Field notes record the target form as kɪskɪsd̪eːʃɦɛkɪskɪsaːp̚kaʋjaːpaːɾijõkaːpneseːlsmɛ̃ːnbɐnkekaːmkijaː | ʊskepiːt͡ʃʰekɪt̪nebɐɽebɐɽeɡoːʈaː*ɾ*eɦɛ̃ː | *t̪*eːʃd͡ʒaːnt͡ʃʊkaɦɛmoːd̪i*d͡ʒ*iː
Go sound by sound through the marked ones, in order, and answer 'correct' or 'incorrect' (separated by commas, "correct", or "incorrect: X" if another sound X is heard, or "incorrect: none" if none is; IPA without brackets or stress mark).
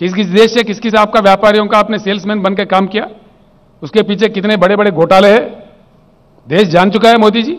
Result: incorrect: l, incorrect: d̪, correct